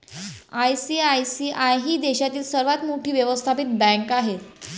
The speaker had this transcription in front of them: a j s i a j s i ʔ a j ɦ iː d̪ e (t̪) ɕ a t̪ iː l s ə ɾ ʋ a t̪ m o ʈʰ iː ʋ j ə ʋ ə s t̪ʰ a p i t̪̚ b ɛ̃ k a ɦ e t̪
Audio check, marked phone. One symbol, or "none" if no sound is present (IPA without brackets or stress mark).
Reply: none